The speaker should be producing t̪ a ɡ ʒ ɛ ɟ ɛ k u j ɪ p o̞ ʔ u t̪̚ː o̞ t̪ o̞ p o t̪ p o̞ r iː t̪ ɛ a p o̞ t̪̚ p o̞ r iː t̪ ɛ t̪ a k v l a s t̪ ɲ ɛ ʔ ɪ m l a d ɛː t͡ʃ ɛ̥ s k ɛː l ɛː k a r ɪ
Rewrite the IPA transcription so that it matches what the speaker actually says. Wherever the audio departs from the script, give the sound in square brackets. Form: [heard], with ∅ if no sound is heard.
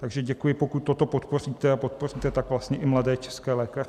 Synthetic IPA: t̪ a ɡ ʒ ɛ ɟ ɛ k u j ɪ p o̞ [k] u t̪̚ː o̞ t̪ o̞ p o t̪ p o̞ r iː t̪ ɛ a p o̞ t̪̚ p o̞ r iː t̪ ɛ t̪ a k v l a s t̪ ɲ ɛ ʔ ɪ m l a d ɛː t͡ʃ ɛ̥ s k ɛː l ɛː k a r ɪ